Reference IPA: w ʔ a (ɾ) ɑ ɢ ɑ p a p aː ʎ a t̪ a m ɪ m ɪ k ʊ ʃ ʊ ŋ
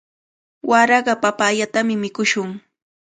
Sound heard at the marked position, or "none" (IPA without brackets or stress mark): ɾ